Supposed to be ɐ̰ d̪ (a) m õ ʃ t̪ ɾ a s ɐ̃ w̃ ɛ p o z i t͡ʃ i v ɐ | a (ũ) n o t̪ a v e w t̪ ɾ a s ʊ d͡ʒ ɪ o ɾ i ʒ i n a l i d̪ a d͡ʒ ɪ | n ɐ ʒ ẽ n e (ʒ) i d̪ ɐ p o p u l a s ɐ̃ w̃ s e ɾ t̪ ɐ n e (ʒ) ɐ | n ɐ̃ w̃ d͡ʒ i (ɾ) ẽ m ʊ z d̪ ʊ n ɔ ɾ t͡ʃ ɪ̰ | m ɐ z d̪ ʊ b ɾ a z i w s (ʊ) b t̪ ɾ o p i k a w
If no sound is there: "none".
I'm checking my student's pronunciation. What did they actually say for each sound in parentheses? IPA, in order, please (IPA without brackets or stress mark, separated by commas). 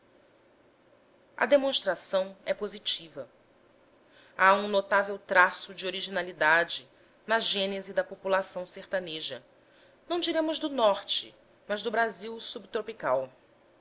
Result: e, ũ, z, ʒ, ɾ, u